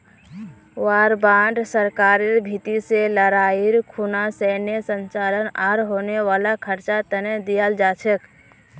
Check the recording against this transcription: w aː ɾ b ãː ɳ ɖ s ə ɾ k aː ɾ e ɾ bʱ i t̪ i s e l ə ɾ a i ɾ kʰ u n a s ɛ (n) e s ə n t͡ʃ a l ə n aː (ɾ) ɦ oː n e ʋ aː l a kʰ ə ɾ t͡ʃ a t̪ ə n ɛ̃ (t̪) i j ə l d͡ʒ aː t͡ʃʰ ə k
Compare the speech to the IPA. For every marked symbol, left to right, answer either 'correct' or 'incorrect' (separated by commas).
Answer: correct, correct, incorrect